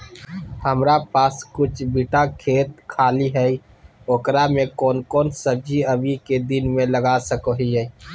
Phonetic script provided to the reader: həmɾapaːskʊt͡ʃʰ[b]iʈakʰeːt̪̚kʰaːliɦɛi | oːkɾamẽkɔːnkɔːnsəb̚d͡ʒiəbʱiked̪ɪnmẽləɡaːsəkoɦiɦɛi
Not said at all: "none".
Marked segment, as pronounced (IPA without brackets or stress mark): b